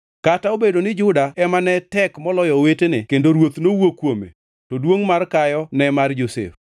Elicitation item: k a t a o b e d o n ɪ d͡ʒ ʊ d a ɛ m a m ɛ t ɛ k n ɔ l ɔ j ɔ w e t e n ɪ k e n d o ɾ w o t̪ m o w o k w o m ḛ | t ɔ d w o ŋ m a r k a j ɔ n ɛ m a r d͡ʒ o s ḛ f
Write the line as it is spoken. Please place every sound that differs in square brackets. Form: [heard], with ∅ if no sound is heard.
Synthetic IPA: k a t a o b e d o n ɪ d͡ʒ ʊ d a ɛ m a [n] ɛ t ɛ k [m] ɔ l ɔ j ɔ w e t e n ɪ k e n d o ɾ w o t̪ [n] o w o k w o m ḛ | t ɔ d w o ŋ m a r k a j ɔ n ɛ m a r d͡ʒ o s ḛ f